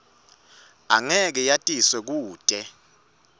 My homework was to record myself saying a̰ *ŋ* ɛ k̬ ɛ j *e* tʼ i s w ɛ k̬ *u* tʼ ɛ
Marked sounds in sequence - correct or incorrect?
correct, incorrect, incorrect

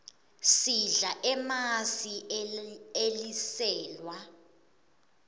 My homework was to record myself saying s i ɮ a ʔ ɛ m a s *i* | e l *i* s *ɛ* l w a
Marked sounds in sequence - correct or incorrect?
correct, correct, incorrect

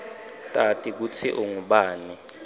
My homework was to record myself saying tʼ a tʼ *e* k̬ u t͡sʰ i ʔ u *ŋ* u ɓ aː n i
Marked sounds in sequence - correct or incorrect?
incorrect, correct

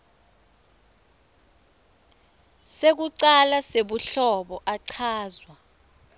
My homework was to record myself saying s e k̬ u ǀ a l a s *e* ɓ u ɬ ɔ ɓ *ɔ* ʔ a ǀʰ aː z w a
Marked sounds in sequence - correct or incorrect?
correct, correct

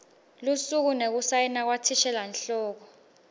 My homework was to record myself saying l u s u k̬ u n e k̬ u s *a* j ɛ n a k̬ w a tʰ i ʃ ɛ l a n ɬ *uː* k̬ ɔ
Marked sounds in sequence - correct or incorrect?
correct, incorrect

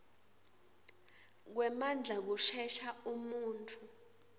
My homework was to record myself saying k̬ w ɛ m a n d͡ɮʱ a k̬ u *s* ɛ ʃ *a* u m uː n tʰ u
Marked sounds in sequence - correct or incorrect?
incorrect, correct

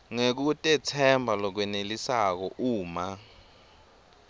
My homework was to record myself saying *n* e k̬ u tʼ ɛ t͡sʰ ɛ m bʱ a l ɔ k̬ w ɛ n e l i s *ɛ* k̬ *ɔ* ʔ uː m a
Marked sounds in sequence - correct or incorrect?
incorrect, incorrect, correct

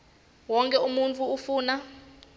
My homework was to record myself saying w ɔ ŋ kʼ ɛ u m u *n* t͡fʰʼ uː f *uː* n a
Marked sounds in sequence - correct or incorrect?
correct, correct

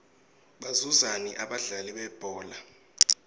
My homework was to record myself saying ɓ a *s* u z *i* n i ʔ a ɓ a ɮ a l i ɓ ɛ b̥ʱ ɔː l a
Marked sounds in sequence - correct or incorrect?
incorrect, incorrect

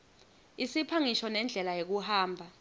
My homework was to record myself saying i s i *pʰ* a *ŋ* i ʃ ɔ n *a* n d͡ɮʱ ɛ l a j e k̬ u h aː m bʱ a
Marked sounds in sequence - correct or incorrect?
correct, correct, incorrect

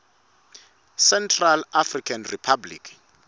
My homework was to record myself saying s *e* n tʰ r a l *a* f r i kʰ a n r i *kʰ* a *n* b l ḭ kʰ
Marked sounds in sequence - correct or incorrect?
incorrect, correct, incorrect, incorrect

